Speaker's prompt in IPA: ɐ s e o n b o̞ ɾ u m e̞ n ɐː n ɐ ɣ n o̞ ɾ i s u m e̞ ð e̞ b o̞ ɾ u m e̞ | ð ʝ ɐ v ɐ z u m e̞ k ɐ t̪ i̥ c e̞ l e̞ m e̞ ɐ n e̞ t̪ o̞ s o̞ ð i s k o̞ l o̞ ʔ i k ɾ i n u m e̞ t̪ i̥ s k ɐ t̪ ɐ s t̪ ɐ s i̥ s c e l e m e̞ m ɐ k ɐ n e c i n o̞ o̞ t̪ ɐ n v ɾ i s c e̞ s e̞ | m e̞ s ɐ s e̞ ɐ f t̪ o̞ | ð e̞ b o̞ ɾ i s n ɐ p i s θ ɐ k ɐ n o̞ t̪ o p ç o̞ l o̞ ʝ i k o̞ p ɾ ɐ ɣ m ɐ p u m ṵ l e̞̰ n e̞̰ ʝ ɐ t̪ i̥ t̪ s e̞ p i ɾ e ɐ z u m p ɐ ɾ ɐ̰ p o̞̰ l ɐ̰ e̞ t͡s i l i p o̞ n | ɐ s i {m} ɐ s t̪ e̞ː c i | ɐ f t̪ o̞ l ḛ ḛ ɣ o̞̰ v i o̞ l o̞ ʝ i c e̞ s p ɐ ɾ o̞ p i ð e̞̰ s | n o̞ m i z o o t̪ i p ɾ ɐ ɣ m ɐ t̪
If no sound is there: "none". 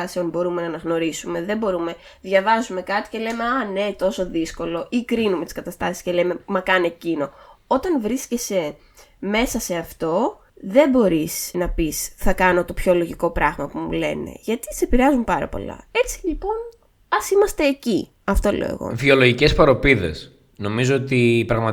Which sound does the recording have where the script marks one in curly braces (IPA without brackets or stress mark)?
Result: m